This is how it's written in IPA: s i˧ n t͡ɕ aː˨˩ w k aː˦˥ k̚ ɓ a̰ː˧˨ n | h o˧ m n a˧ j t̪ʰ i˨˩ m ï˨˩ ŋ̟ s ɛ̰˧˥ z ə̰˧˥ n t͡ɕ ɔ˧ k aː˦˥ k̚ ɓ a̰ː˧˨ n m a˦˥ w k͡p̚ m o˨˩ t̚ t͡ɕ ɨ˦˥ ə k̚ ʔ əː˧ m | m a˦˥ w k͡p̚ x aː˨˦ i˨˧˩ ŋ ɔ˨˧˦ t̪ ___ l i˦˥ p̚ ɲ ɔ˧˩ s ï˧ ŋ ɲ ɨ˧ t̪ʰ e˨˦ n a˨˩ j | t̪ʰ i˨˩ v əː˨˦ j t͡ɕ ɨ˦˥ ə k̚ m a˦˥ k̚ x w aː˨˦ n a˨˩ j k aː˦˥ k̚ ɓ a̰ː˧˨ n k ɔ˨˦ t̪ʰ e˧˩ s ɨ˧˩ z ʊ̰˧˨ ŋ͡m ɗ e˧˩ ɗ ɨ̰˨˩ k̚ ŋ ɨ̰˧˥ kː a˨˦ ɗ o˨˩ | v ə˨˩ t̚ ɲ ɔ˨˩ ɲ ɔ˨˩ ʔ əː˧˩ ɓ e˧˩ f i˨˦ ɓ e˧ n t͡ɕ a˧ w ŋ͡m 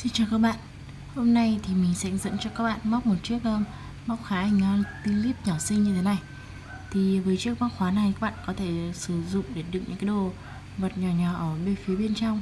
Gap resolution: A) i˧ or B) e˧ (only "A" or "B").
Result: A